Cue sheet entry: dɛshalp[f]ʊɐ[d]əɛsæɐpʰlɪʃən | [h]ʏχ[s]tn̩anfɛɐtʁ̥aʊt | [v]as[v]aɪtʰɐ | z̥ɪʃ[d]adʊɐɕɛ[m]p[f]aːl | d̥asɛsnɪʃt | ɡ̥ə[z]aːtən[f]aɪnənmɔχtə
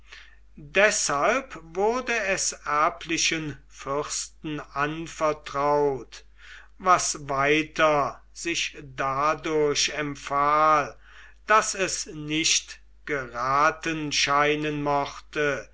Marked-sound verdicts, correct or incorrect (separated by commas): incorrect, correct, incorrect, correct, correct, correct, correct, correct, correct, incorrect, incorrect